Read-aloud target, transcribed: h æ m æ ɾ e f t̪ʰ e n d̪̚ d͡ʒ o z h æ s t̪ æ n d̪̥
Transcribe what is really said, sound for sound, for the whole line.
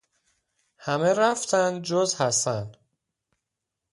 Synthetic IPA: h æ m e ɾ æ f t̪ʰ æ n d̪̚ d͡ʒ o z h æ s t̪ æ n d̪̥